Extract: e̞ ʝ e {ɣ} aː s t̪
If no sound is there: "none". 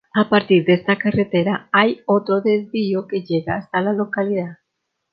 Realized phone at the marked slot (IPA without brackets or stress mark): ɣ